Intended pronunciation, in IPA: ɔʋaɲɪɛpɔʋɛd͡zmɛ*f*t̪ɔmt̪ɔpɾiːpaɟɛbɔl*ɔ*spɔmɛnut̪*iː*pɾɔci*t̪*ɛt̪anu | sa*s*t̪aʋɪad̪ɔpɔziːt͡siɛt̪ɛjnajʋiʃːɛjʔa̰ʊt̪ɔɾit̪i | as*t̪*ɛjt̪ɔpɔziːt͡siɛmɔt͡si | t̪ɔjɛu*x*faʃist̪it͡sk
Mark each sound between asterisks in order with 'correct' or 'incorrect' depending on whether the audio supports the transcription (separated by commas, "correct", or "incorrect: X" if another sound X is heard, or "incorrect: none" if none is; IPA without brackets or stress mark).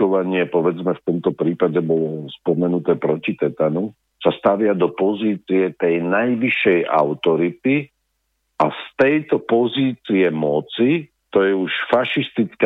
correct, correct, incorrect: ɛː, correct, correct, correct, incorrect: ʃ